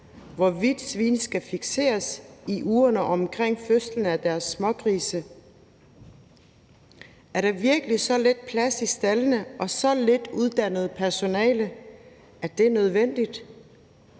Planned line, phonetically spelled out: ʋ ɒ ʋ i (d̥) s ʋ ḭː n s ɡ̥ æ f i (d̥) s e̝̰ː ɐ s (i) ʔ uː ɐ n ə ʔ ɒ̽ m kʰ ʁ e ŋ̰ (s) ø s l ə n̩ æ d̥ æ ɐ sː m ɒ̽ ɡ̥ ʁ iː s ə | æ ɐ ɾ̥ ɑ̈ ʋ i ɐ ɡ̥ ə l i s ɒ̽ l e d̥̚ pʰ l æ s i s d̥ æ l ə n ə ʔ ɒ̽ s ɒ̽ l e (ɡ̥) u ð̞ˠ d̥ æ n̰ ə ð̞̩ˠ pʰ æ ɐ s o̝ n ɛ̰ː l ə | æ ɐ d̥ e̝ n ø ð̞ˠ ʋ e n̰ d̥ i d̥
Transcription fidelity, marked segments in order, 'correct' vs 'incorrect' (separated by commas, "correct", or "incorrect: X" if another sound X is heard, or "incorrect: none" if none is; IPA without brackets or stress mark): correct, incorrect: ɡ̥, correct, incorrect: f, incorrect: d̥